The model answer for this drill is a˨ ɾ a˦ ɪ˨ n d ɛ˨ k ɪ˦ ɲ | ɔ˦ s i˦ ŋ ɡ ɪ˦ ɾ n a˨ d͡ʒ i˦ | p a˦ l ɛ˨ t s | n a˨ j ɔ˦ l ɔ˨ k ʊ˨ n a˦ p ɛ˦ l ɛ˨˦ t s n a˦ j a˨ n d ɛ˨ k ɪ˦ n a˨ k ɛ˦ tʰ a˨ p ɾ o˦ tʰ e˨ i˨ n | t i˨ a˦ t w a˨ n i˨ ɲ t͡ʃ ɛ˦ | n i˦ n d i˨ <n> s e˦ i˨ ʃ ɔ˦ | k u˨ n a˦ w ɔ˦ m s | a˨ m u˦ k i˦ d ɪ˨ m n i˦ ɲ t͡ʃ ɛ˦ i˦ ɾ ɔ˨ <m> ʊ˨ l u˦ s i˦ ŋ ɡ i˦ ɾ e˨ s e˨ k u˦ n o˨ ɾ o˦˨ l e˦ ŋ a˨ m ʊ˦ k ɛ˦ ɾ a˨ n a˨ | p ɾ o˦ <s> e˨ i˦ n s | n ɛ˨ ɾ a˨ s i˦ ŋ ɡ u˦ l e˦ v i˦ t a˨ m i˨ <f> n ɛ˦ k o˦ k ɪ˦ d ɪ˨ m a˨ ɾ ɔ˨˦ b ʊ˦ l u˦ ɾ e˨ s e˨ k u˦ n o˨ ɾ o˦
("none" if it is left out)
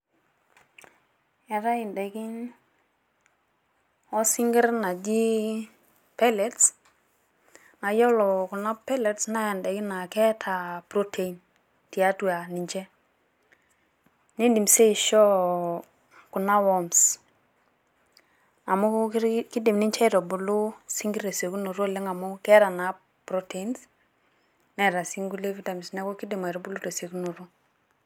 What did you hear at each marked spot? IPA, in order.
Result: m, b, t, s

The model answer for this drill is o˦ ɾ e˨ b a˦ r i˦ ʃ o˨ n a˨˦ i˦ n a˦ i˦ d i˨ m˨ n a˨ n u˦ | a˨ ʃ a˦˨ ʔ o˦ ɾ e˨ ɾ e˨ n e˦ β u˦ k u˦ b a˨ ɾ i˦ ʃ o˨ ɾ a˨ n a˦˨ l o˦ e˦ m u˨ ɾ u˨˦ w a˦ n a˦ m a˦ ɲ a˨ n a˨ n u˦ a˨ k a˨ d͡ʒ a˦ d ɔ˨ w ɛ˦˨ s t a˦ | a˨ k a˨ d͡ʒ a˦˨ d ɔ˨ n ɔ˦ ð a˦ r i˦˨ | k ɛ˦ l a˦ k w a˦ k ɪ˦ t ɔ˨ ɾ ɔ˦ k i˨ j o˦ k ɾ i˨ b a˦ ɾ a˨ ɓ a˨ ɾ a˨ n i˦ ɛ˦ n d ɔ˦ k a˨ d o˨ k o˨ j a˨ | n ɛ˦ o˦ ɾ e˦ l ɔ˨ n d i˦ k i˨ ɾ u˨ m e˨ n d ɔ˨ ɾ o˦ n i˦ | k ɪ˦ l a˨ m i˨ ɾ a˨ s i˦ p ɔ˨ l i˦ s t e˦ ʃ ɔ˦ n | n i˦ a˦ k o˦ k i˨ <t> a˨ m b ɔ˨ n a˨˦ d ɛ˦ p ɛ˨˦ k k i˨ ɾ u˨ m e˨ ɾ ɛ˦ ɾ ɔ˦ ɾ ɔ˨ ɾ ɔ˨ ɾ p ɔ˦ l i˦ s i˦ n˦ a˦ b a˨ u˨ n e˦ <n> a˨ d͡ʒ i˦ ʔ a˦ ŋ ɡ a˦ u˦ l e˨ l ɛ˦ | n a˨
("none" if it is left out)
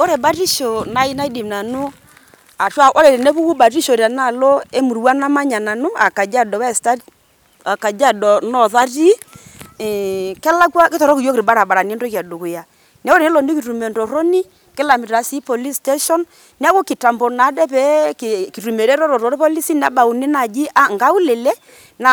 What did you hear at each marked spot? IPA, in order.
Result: t, n

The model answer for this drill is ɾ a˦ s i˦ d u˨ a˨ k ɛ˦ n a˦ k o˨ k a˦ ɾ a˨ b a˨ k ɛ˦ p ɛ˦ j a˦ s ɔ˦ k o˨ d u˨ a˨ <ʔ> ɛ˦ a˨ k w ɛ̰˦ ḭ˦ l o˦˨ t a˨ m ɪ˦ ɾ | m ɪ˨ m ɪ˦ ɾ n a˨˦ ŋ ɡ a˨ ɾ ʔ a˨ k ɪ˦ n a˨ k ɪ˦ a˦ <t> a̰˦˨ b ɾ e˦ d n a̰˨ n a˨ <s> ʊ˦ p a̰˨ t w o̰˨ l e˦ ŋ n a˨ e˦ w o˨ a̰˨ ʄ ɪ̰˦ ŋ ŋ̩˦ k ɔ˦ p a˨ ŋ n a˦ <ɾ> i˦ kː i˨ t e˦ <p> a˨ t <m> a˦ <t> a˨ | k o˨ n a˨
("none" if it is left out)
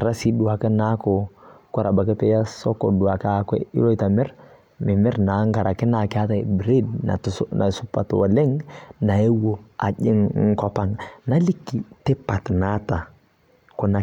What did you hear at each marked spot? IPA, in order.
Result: k, t, s, l, p, n, t

